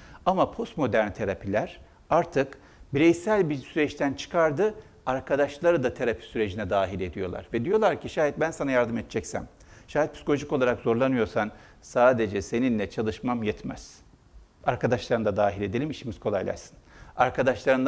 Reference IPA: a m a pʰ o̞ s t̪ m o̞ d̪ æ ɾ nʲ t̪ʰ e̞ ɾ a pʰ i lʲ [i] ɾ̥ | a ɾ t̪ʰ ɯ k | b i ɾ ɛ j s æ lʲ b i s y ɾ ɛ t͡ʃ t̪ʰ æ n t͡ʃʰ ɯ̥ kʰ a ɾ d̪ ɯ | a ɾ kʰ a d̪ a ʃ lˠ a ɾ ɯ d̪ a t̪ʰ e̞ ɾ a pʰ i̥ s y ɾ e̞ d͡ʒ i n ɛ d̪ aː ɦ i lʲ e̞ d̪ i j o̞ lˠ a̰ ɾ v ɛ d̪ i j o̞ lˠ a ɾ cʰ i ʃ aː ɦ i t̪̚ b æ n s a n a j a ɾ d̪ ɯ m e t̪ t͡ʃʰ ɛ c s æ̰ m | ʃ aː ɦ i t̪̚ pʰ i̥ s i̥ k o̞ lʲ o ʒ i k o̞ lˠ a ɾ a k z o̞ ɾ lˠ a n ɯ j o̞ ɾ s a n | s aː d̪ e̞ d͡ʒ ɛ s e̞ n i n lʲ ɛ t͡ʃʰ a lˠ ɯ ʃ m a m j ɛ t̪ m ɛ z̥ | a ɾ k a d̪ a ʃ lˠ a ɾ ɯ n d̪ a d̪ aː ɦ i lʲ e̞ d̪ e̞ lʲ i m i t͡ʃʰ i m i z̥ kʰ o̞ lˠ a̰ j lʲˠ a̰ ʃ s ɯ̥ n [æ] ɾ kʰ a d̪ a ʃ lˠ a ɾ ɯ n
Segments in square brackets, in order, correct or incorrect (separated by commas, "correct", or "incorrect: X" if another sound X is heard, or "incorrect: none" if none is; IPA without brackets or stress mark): incorrect: æ, incorrect: a